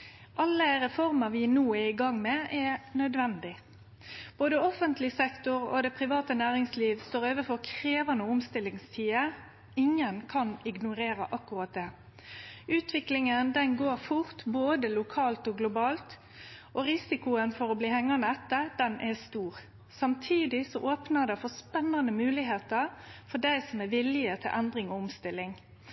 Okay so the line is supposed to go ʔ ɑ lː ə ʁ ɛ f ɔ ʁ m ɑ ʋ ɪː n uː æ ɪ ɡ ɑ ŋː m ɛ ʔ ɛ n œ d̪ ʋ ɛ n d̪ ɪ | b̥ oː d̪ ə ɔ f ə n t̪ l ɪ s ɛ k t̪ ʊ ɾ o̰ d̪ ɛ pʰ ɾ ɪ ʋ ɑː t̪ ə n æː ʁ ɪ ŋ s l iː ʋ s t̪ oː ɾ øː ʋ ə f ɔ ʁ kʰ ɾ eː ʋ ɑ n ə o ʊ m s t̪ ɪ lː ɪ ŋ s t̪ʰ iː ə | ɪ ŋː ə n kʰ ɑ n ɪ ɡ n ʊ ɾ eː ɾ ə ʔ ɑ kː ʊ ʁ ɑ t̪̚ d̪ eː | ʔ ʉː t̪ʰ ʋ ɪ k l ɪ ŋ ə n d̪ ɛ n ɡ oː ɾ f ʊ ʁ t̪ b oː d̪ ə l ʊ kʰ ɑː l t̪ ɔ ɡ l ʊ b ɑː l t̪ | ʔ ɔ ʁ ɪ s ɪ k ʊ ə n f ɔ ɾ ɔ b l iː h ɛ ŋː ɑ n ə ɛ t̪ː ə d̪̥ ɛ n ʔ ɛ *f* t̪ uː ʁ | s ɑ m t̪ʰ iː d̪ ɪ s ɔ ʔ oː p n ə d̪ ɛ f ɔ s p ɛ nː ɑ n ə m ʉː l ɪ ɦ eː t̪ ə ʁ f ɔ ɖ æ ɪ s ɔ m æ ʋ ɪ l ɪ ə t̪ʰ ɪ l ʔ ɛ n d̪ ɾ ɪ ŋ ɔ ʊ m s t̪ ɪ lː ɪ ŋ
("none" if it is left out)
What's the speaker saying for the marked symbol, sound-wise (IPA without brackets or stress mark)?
s